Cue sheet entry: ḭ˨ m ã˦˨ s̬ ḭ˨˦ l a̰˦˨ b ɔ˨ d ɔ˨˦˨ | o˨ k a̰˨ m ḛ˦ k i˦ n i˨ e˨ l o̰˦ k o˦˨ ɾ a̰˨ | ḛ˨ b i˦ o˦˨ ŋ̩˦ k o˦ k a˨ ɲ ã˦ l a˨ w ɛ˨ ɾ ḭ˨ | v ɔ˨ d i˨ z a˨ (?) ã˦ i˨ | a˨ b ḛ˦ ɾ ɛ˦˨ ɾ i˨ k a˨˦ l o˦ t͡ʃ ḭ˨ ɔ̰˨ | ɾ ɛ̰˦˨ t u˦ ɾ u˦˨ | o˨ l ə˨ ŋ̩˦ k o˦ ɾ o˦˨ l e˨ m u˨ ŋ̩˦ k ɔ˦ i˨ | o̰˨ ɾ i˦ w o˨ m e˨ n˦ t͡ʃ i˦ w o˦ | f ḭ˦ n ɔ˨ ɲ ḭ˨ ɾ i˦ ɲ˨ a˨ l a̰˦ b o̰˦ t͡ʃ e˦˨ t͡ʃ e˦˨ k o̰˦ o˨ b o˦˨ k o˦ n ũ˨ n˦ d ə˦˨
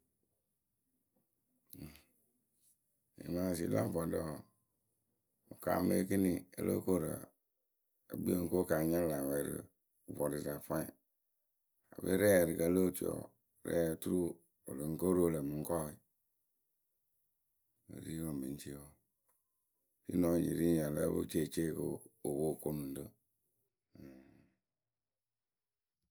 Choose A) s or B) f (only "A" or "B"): B